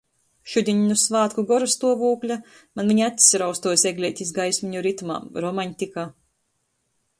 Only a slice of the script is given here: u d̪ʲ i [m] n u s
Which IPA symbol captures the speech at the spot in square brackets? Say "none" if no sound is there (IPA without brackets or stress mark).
ɲ